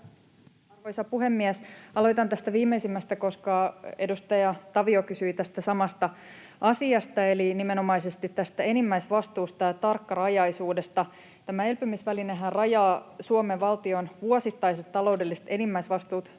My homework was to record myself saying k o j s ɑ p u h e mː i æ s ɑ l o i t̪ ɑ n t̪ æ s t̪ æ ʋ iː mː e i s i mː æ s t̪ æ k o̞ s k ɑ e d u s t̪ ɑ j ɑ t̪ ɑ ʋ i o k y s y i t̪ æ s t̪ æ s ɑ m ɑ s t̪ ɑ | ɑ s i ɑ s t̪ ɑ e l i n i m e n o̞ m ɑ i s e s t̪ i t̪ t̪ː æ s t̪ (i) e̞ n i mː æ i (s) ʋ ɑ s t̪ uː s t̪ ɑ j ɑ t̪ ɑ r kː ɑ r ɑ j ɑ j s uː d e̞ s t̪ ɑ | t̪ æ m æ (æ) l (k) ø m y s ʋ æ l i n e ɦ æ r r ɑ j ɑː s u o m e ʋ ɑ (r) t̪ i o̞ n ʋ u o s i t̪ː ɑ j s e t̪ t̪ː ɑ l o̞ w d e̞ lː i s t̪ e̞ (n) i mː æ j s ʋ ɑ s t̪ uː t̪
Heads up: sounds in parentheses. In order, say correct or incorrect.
incorrect, correct, incorrect, incorrect, incorrect, correct

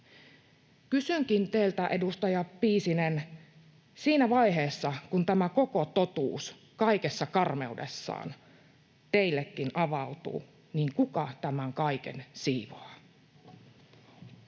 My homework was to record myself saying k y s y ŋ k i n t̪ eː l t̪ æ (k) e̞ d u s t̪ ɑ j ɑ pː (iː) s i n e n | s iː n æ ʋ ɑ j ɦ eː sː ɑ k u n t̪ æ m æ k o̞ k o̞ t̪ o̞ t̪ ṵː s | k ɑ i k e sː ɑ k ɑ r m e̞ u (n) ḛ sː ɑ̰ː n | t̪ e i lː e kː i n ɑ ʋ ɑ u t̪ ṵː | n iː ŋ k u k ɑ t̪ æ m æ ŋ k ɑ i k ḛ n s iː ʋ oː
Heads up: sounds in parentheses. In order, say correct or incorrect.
incorrect, correct, incorrect

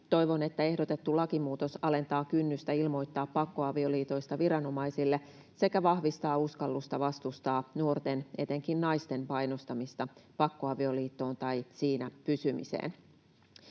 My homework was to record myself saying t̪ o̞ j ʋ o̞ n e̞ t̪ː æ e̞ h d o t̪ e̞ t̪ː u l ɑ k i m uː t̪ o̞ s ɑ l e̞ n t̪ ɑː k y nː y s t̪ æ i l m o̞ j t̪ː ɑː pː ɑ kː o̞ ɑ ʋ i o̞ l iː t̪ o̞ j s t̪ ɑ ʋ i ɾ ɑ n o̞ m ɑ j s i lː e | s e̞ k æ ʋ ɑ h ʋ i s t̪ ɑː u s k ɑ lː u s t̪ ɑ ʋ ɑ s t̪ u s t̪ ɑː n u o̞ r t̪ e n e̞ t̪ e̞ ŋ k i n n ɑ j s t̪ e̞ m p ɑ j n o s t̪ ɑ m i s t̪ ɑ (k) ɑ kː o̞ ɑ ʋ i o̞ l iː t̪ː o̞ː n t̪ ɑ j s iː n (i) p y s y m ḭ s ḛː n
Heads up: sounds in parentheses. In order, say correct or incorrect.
incorrect, incorrect

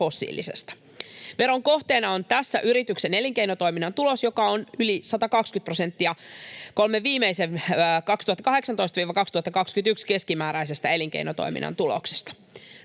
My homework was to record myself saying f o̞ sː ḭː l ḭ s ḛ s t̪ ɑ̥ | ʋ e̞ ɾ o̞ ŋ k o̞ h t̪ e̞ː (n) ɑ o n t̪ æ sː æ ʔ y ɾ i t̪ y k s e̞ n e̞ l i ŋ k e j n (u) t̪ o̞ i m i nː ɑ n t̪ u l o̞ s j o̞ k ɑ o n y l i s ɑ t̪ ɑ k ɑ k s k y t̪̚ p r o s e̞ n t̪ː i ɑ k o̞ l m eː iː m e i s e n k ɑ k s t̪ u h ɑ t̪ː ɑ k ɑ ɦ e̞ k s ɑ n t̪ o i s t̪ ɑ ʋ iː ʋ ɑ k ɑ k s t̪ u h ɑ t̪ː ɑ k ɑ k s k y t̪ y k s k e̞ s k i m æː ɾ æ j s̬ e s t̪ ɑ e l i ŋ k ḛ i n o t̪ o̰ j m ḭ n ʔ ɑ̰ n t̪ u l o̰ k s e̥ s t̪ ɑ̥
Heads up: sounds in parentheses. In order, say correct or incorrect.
correct, incorrect

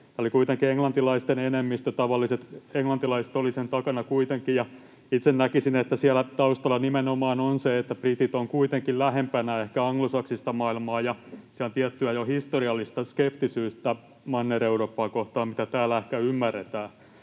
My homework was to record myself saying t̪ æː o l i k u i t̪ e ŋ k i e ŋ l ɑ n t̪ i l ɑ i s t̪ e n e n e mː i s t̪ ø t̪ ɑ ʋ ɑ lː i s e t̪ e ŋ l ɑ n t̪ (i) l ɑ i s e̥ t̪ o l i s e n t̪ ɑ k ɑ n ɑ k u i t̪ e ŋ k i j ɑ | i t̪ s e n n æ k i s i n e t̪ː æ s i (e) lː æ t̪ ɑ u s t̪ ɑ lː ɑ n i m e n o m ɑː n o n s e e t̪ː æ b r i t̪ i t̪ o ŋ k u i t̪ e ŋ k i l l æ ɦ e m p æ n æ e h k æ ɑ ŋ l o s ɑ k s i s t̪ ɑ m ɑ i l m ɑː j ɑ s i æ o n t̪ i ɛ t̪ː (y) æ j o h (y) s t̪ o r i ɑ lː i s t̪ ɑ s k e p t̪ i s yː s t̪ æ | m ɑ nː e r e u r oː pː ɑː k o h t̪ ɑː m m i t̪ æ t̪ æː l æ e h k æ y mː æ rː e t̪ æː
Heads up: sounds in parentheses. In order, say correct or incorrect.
correct, incorrect, correct, incorrect

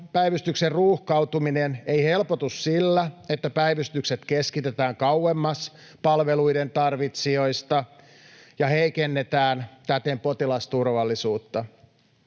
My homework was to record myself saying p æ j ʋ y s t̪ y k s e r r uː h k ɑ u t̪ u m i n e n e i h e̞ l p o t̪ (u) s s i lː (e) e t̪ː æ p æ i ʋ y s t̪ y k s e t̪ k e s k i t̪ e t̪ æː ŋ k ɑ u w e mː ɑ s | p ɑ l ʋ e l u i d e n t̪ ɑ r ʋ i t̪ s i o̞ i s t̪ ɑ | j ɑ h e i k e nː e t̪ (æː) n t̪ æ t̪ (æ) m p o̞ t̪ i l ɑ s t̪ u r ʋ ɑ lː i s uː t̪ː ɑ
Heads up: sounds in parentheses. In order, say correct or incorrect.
correct, incorrect, correct, incorrect

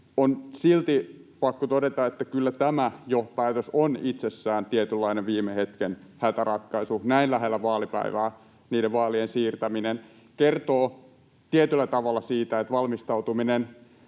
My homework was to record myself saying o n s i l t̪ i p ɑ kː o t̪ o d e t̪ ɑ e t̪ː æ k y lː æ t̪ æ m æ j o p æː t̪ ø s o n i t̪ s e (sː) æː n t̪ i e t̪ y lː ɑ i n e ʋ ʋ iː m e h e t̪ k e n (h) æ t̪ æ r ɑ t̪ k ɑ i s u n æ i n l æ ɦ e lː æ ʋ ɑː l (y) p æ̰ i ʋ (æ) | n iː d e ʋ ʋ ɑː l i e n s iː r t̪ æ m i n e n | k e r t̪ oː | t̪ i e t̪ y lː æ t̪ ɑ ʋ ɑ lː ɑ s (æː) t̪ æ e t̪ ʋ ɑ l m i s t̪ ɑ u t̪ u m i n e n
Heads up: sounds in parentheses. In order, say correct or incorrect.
correct, correct, incorrect, incorrect, incorrect

